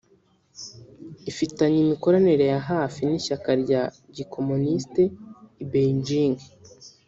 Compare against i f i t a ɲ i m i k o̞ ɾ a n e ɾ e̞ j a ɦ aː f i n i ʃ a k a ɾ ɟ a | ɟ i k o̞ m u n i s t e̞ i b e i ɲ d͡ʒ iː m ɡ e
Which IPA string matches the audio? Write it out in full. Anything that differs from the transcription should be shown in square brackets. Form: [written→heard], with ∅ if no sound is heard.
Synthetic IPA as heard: i f i t a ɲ i m i k o̞ ɾ a n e ɾ e̞ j a ɦ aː f i n i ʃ a k a ɾ ɟ a | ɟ i k o̞ m u n i s t e̞ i b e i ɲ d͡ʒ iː [m→ŋ] ɡ e